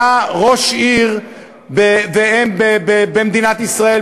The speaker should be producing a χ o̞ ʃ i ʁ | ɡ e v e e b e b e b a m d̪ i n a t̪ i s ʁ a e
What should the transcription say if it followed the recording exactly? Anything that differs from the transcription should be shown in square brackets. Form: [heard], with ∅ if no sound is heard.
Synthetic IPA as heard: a [ʁ] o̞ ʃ i ʁ | [b] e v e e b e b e b [e] m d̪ i n a t̪ i s ʁ a e